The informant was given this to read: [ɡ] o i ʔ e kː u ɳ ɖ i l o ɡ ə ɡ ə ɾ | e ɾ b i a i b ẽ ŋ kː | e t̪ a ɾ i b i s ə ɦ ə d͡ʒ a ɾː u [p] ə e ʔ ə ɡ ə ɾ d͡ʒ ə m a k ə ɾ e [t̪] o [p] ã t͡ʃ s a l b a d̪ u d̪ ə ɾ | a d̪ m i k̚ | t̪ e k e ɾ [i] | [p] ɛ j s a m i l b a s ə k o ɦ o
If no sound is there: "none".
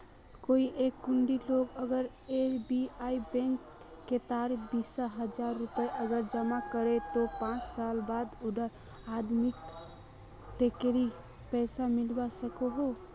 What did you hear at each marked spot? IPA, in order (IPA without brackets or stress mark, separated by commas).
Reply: k, p, t̪, p, i, p